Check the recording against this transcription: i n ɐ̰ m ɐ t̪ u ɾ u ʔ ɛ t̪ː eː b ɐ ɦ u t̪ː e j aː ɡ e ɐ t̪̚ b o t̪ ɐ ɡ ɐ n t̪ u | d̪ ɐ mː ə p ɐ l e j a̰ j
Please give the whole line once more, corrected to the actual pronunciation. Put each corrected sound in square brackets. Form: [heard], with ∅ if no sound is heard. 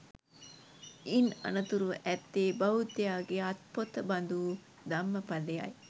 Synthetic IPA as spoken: i n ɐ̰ [n] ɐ t̪ u ɾ u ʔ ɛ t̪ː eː b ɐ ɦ u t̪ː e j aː ɡ e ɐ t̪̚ [p] o t̪ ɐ [b] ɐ n [d̪] u | d̪ ɐ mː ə p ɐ l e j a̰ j